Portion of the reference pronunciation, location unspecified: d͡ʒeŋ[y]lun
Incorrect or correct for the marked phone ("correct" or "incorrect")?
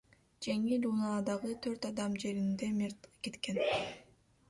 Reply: incorrect